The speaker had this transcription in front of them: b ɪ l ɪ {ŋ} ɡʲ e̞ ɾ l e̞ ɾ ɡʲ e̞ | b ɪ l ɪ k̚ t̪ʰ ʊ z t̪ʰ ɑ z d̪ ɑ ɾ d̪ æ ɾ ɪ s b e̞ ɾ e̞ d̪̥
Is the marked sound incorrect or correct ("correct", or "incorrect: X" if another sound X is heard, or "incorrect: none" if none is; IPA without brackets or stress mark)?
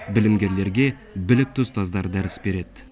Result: incorrect: m